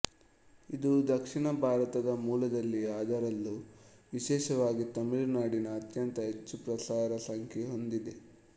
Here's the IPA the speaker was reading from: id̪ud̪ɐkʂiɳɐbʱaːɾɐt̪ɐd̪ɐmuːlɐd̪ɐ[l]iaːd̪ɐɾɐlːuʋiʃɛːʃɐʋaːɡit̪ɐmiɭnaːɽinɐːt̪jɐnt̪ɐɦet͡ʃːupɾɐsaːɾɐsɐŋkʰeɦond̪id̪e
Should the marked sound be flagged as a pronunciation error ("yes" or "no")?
yes